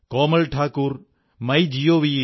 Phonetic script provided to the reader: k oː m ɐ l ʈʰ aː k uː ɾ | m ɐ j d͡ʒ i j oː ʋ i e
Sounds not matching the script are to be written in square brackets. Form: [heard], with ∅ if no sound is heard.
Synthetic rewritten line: k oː m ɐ l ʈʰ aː k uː ɾ | m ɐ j d͡ʒ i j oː ʋ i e